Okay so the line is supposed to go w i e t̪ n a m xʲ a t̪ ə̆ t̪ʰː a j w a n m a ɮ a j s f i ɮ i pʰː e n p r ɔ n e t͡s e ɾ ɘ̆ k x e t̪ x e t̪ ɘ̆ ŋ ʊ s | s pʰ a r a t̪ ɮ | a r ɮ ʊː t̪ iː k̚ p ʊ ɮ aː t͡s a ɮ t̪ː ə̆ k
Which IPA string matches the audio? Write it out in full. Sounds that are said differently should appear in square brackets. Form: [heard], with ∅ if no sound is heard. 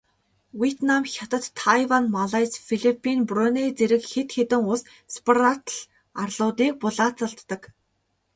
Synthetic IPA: w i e t̪ n a m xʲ a t̪ ə̆ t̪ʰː a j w a n m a ɮ a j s f i ɮ i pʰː [i] n p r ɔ n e t͡s e ɾ ɘ̆ k x e t̪ x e t̪ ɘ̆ ŋ ʊ s | s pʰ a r a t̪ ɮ | a r ɮ ʊː t̪ iː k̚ p ʊ ɮ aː t͡s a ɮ t̪ː ə̆ k